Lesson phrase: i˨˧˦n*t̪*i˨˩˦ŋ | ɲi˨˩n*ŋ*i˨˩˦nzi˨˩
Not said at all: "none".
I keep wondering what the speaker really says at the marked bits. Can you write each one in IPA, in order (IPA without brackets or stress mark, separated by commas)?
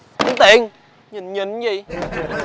t̪, ɲ